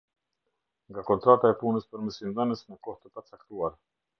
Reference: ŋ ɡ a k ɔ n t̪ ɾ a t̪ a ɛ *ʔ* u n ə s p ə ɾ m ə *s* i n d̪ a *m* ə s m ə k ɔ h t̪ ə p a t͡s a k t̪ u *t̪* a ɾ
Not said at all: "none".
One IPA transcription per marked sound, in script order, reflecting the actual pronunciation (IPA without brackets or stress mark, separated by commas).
p, s, n, none